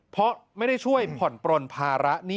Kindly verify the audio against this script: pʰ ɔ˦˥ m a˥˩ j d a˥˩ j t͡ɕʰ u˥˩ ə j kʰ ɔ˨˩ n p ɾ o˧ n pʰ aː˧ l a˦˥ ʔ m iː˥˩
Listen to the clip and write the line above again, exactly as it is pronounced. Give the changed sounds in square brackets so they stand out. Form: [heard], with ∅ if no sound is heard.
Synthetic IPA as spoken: pʰ ɔ˦˥ m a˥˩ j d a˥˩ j t͡ɕʰ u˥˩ ə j [pʰ] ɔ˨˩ n p ɾ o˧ n pʰ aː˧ [ɾ] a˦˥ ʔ [n] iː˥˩